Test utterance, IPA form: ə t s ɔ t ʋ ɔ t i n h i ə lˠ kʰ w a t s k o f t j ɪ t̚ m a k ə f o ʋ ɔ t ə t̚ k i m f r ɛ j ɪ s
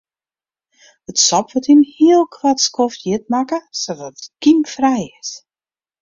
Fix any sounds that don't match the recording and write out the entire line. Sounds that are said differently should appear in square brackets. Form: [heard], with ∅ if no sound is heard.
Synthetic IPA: ə t s ɔ [p] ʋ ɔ t i n h i ə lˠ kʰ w a t s k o f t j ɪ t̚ m a k ə [s] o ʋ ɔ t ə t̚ k i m f r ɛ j ɪ s